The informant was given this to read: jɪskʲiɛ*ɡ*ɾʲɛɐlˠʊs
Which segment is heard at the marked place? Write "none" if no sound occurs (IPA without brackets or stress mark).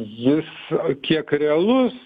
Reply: k